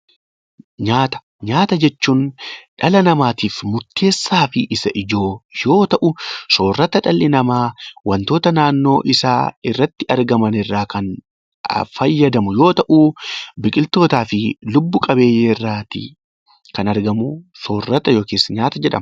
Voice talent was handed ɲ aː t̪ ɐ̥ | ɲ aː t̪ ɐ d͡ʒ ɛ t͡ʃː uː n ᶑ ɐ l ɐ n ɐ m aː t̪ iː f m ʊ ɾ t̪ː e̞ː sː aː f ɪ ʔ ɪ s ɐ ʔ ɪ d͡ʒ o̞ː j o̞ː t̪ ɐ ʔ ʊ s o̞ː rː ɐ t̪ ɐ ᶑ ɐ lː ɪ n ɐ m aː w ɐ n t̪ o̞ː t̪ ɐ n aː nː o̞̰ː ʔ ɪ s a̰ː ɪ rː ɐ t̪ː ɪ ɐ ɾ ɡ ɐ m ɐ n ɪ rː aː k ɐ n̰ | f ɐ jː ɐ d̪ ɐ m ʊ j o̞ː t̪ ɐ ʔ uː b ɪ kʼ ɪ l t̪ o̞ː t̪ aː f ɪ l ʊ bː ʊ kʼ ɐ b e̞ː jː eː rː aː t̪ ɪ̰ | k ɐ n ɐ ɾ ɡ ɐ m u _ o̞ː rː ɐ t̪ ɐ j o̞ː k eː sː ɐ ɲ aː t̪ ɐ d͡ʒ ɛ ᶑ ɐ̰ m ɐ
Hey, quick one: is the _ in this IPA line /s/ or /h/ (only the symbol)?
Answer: s